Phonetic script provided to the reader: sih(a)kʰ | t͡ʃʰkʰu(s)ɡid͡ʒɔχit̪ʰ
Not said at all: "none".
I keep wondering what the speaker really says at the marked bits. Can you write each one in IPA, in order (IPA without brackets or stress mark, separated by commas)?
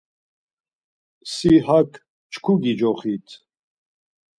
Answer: a, none